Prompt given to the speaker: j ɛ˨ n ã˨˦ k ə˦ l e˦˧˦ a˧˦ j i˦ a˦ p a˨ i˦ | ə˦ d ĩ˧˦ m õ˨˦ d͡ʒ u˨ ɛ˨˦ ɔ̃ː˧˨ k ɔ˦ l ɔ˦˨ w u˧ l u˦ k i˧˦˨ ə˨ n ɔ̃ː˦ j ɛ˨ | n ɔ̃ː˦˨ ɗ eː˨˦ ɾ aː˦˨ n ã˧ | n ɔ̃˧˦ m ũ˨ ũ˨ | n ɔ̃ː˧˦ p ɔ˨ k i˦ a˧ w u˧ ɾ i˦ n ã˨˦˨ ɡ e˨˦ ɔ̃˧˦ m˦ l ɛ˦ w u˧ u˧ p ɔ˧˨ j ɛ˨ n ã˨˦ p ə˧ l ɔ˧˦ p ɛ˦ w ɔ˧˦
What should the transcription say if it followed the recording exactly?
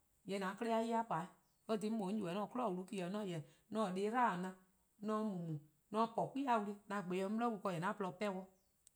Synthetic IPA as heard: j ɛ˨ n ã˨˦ k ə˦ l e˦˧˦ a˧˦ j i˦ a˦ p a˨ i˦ | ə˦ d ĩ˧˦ m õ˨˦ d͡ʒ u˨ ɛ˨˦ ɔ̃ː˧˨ k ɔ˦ l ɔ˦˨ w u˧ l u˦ k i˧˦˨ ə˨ n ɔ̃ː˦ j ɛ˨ | n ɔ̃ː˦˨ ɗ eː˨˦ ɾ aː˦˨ n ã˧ | n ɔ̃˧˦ m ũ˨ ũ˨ | n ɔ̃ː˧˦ p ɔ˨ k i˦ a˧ w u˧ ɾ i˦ n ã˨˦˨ ɡ͡b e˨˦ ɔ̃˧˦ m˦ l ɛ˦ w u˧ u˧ k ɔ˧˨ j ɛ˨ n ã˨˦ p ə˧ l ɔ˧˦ p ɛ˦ w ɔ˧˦

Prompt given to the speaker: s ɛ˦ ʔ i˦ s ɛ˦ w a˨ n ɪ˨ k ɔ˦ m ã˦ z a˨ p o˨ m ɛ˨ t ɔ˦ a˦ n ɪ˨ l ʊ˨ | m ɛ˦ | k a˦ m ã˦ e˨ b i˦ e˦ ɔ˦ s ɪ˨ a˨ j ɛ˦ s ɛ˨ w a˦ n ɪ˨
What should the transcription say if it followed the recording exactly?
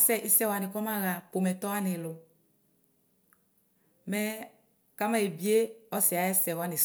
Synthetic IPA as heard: s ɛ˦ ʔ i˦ s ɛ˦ w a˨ n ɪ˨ k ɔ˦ m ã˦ ɣ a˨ p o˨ m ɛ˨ t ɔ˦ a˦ n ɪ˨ l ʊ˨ | m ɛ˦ | k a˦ m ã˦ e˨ b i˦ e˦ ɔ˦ s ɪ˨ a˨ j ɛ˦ s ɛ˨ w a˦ n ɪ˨

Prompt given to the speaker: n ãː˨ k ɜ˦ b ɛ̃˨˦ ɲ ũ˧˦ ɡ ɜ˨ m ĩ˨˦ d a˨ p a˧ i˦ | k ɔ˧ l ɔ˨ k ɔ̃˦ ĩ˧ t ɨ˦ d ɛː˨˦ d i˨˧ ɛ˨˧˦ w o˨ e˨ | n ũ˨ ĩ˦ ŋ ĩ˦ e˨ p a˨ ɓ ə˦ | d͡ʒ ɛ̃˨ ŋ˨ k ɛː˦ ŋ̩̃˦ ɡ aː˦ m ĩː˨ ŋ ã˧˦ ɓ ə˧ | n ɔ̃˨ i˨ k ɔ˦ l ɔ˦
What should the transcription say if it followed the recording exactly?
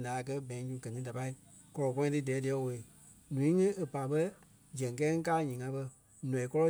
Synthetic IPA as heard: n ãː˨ k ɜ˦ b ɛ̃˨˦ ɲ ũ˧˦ ɡ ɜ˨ n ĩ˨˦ d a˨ p a˧ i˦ | k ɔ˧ l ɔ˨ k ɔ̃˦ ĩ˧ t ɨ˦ d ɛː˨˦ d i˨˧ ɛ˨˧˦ w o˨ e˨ | n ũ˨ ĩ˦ ŋ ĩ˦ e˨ p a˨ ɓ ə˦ | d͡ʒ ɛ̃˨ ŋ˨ k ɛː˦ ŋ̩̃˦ k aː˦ ɲ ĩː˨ ŋ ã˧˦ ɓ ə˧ | n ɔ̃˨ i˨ k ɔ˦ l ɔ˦

